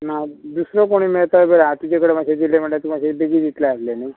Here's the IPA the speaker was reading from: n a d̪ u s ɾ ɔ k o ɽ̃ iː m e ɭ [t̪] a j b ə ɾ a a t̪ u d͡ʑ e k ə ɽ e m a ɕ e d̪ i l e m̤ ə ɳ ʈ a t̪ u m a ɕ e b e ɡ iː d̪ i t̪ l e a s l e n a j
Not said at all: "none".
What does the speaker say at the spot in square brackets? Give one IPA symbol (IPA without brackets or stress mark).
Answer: t̪